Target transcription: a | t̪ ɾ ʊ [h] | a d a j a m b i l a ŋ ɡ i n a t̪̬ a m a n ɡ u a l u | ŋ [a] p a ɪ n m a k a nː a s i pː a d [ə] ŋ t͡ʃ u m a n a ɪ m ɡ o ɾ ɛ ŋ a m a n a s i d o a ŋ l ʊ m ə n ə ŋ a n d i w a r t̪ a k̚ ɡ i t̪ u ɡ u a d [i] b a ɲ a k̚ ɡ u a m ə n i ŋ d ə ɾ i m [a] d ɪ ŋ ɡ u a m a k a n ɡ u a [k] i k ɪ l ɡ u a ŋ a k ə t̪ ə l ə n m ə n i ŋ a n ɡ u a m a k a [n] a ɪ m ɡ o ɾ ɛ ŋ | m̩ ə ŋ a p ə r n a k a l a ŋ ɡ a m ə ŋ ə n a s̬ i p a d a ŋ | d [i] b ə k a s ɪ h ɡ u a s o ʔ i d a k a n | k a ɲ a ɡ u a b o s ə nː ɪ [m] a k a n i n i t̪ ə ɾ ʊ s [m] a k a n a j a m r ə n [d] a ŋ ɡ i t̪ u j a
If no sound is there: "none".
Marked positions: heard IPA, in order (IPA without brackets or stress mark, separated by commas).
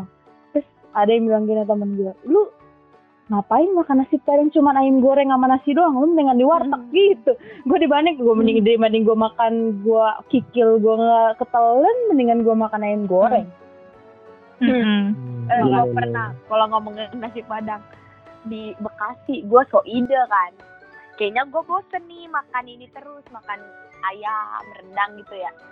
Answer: s, a, a, i, a, k, n, i, m, m, d